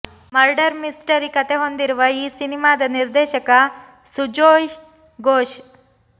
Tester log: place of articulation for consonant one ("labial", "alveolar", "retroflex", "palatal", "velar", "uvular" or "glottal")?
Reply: labial